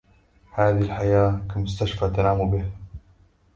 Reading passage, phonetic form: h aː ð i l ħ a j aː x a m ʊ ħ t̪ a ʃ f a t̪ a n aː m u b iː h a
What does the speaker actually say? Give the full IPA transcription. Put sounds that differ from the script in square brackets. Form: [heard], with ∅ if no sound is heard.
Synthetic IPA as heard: h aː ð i l ħ a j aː [k] a m ʊ [s] t̪ a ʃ f a t̪ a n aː m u b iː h a